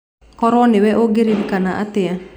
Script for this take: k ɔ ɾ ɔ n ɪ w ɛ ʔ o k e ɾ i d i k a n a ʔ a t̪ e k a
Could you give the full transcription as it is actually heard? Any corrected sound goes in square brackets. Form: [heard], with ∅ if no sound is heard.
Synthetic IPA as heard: k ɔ ɾ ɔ n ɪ w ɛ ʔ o [ɡ] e ɾ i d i k a n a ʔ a t̪ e [∅] a